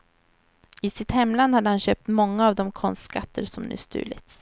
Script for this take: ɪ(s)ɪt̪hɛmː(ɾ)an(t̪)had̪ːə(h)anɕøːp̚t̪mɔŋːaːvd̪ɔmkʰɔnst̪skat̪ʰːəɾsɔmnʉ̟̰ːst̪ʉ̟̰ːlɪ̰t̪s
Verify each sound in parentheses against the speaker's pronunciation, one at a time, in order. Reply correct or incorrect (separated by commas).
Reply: correct, incorrect, incorrect, correct